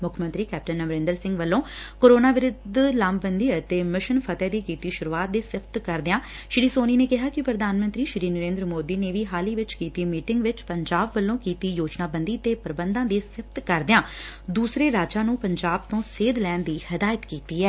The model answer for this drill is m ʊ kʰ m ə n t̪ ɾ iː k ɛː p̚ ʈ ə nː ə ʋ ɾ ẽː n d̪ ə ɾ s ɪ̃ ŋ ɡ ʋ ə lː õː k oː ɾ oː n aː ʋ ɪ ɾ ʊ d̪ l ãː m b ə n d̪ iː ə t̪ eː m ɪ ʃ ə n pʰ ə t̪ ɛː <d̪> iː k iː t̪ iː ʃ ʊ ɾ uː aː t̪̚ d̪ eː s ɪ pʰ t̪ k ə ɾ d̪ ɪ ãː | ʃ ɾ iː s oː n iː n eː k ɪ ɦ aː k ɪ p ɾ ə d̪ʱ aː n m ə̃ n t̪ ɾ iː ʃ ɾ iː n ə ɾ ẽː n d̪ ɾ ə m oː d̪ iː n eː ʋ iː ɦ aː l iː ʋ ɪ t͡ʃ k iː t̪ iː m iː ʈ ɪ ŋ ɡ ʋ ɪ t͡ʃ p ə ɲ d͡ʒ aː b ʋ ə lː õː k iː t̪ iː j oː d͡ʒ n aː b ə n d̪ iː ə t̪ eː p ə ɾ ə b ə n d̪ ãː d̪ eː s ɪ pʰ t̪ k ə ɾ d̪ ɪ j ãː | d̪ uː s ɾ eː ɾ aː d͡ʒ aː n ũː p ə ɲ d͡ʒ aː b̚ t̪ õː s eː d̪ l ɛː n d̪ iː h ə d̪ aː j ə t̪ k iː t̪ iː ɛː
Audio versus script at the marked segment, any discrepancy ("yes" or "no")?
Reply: no